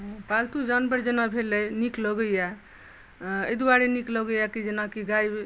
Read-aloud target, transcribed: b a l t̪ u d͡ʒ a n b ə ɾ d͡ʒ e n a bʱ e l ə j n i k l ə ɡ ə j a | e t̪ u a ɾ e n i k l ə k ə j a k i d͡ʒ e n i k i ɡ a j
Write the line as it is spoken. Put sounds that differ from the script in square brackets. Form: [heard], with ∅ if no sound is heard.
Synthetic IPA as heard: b a l t̪ u d͡ʒ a n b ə ɾ d͡ʒ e n a bʱ e l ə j n i k l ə ɡ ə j a | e [d̪] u a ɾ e n i k l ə [ɡ] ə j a k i d͡ʒ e n [a] k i ɡ a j